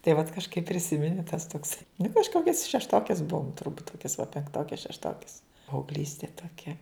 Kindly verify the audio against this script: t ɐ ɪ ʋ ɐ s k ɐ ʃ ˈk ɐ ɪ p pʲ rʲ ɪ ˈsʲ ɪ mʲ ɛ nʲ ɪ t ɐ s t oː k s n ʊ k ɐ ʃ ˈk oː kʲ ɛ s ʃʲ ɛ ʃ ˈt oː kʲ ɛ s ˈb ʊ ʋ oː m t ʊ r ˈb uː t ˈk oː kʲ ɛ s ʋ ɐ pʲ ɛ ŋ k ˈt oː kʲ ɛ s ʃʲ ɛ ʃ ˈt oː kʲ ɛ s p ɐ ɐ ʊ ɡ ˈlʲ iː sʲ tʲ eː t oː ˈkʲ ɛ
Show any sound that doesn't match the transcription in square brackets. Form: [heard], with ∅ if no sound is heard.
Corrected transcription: t ɐ ɪ ʋ ɐ [t] k ɐ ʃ ˈk ɐ ɪ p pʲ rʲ ɪ ˈsʲ ɪ mʲ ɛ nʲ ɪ t ɐ s t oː k s n ʊ k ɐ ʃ ˈk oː kʲ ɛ s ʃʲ ɛ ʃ ˈt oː kʲ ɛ s ˈb ʊ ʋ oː m t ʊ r ˈb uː t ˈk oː kʲ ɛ s ʋ ɐ pʲ ɛ ŋ k ˈt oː kʲ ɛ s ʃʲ ɛ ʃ ˈt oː kʲ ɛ s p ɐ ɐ ʊ ɡ ˈlʲ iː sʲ tʲ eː t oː ˈkʲ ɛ